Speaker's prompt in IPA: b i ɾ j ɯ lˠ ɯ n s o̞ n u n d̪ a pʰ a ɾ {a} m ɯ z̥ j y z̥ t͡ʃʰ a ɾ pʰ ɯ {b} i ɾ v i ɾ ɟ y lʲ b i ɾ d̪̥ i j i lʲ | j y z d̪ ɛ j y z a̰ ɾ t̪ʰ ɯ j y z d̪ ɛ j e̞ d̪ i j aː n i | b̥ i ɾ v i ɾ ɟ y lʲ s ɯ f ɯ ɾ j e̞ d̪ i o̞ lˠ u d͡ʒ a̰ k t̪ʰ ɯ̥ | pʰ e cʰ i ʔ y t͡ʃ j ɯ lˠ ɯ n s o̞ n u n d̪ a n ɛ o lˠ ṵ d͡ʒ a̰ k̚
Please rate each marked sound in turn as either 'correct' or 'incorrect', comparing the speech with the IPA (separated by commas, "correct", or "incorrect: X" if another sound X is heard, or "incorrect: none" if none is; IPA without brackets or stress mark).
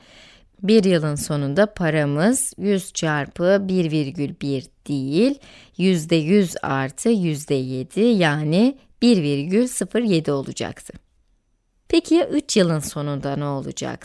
correct, correct